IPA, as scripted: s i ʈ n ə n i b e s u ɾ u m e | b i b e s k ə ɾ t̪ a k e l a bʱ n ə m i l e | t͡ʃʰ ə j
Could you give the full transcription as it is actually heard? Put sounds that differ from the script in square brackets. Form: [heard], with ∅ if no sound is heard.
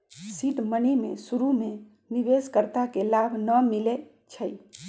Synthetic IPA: s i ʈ [m] ə n i [m] e s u ɾ u m e | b i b e s k ə ɾ t̪ a k e l a bʱ n ə m i l e | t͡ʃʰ ə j